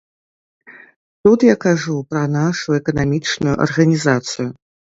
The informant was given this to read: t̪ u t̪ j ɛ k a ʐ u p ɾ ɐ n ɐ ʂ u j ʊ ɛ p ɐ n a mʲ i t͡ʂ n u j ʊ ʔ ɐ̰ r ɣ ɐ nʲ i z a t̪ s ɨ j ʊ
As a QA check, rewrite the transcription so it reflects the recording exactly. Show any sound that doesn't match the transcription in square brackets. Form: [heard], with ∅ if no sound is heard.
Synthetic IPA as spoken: t̪ u t̪ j [a] k a ʐ u p ɾ ɐ n [a] ʂ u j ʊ ɛ [k] ɐ n a mʲ i t͡ʂ n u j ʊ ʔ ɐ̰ r ɣ ɐ nʲ i z a t̪ s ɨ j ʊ

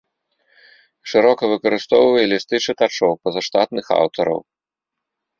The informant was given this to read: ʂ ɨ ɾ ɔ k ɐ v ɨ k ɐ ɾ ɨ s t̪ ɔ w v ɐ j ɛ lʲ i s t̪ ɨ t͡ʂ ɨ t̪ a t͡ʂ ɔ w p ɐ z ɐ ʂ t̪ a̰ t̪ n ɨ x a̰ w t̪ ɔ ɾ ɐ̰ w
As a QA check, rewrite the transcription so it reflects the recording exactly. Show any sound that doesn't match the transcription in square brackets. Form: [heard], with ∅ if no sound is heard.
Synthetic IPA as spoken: ʂ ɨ ɾ ɔ k ɐ v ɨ k ɐ ɾ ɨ s t̪ ɔ w v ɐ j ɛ lʲ i s t̪ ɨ t͡ʂ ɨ t̪ a t͡ʂ ɔ w p ɐ z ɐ ʂ t̪ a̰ t̪ n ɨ x a̰ w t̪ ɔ ɾ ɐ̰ w

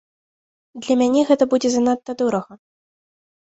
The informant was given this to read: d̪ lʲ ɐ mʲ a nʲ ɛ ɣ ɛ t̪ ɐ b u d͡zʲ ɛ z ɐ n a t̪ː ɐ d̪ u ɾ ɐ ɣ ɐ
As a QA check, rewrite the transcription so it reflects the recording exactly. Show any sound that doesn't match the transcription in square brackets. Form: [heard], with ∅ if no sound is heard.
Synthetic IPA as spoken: d̪ lʲ ɐ mʲ a nʲ ɛ ɣ ɛ t̪ ɐ b u d͡zʲ ɛ z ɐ n a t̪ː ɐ d̪ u ɾ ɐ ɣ ɐ

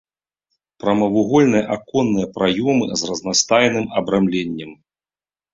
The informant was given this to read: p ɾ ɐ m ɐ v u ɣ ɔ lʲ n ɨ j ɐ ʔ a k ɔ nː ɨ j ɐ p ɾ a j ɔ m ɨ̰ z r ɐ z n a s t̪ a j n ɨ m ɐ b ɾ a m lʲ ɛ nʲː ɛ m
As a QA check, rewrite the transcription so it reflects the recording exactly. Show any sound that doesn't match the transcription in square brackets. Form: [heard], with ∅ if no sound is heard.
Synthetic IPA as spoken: p ɾ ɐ m ɐ v u ɣ ɔ lʲ n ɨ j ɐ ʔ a k ɔ nː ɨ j ɐ p ɾ a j ɔ m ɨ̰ z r ɐ z n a s t̪ a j n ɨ m ɐ b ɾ a m lʲ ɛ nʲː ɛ m

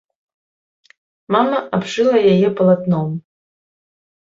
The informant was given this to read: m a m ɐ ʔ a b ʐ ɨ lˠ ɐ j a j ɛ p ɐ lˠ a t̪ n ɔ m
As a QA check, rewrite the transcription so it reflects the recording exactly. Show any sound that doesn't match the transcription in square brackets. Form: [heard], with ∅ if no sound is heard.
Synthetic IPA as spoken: m a m ɐ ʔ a b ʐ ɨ lˠ ɐ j a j ɛ p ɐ lˠ a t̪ n ɔ m

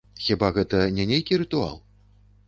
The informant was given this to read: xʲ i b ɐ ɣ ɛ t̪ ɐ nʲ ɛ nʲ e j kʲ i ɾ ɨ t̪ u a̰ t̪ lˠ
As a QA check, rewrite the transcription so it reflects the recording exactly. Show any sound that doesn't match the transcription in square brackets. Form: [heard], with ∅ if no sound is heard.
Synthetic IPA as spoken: xʲ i b [a] ɣ ɛ t̪ ɐ nʲ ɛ nʲ e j kʲ i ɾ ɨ t̪ u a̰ [∅] lˠ

